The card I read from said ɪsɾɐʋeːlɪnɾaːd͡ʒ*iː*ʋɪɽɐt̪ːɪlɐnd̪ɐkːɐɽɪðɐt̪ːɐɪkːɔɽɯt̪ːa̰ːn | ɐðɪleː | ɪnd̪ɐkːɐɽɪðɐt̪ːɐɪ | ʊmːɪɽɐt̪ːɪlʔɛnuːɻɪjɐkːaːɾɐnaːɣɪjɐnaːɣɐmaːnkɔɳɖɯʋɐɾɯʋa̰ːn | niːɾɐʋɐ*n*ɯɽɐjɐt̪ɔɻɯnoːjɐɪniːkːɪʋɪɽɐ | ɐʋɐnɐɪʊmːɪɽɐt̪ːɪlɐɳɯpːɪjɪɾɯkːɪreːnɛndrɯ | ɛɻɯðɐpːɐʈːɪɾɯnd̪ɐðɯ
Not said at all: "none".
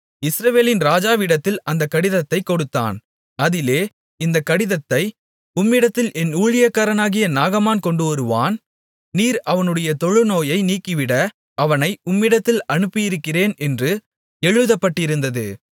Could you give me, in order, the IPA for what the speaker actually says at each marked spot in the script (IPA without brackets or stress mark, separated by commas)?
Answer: aː, n